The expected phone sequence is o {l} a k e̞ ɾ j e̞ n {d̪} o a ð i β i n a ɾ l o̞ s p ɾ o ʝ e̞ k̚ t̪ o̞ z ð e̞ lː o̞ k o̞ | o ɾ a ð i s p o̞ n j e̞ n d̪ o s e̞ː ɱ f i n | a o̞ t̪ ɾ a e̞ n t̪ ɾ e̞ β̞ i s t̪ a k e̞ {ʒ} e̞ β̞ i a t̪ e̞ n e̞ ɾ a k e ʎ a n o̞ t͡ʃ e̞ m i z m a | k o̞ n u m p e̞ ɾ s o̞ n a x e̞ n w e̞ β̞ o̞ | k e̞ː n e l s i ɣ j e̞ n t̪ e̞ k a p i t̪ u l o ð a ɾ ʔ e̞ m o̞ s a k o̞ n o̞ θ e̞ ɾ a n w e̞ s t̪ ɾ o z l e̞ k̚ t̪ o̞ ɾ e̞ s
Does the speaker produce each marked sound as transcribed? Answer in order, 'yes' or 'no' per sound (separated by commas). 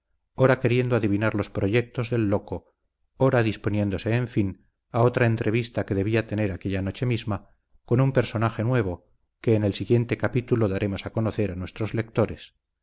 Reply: no, yes, no